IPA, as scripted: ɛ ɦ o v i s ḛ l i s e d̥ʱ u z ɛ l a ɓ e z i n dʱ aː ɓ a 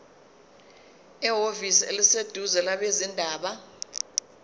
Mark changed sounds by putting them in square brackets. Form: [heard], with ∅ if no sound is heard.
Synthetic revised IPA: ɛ ɦ o v i s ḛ l i s e d̥ʱ u z ɛ l a ɓ e z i n dʱ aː ɓ a